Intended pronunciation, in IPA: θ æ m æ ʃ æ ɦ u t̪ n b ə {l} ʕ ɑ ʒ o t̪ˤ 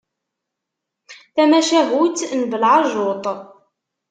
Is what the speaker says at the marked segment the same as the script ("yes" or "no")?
yes